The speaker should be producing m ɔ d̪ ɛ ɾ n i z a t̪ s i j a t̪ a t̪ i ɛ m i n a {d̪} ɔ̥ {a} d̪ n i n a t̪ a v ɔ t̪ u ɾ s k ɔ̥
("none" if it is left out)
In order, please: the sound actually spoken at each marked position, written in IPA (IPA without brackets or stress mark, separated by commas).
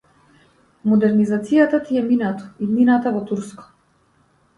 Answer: t̪, i